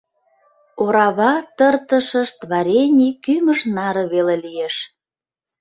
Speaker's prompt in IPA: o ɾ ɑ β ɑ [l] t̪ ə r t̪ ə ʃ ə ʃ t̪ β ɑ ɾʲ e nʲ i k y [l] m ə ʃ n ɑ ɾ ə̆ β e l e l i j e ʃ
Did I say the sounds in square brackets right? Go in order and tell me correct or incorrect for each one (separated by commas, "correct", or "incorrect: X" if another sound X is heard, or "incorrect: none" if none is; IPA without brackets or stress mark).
incorrect: none, incorrect: none